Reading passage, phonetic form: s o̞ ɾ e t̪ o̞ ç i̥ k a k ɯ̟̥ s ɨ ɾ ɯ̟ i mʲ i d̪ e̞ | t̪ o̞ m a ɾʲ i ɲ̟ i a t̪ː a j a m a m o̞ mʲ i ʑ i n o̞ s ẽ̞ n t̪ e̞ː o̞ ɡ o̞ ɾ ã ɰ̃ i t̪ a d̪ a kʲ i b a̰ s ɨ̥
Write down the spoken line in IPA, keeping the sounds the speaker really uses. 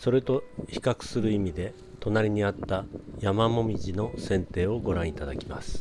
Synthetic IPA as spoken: s o̞ ɾ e t̪ o̞ ç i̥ k a k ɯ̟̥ s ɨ ɾ ɯ̟ i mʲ i d̪ e̞ | t̪ o̞ n a ɾʲ i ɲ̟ i a t̪ː a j a m a m o̞ mʲ i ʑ i n o̞ s ẽ̞ n t̪ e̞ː o̞ ɡ o̞ ɾ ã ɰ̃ i t̪ a d̪ a kʲ i m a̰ s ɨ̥